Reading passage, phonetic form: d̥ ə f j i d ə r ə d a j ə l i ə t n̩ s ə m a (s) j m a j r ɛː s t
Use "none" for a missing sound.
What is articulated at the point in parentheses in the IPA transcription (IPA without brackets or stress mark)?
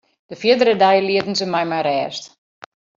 none